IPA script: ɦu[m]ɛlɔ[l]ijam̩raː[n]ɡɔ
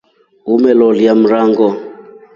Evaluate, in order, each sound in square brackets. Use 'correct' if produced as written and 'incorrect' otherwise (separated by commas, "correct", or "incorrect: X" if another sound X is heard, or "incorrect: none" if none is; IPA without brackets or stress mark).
correct, correct, incorrect: ŋ